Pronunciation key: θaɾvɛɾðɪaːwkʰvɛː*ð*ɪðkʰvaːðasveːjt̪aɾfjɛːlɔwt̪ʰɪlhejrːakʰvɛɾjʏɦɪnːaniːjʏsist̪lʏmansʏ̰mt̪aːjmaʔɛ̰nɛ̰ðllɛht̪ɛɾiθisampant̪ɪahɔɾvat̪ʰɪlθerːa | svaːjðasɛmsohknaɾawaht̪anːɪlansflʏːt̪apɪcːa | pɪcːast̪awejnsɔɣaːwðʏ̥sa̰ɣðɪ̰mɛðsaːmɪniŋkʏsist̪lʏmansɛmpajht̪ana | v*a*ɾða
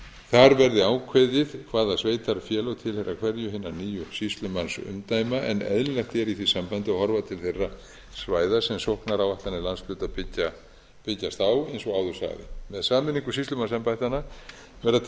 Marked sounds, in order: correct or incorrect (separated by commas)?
correct, incorrect